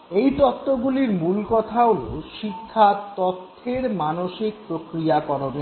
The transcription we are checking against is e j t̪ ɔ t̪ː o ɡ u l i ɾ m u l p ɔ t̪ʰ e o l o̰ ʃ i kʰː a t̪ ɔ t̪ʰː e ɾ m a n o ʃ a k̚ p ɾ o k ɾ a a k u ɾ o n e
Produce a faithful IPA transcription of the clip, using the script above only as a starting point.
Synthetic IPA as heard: e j t̪ ɔ t̪ː o ɡ u l i ɾ m u l k ɔ t̪ʰ a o l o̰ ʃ i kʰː a t̪ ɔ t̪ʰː e ɾ m a n o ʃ i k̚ p ɾ o k ɾ i a k ɔ ɾ o n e